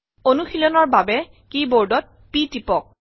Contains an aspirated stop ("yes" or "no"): no